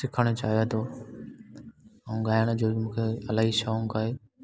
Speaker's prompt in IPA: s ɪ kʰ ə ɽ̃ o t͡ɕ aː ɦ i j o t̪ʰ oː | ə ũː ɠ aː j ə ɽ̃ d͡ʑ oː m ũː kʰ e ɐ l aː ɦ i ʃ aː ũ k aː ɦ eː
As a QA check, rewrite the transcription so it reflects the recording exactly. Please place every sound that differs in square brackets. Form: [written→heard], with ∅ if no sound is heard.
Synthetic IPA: s ɪ kʰ ə ɽ̃ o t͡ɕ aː ɦ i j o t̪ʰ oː | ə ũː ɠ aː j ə ɽ̃ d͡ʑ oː m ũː kʰ e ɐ l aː ɦ i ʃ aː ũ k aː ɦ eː